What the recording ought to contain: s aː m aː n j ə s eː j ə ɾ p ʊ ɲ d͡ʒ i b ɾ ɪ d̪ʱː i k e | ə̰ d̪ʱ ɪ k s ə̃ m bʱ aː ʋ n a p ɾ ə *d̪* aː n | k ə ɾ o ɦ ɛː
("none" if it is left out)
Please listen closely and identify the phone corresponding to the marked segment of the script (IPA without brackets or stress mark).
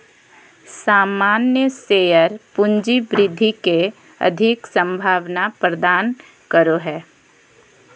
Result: d̪